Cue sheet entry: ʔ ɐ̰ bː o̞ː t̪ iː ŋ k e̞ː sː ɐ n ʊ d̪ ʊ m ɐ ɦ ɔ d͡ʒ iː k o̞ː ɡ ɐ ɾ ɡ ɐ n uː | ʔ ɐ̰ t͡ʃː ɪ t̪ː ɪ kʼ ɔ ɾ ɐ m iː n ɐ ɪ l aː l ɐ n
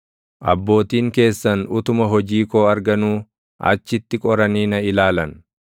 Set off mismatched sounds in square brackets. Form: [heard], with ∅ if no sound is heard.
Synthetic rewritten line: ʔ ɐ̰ bː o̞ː t̪ iː ŋ k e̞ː sː ɐ n ʊ [t̪] ʊ m ɐ ɦ ɔ d͡ʒ iː k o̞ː [∅] ɐ ɾ ɡ ɐ n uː | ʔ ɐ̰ t͡ʃː ɪ t̪ː ɪ kʼ ɔ ɾ ɐ [n] iː n ɐ ɪ l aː l ɐ n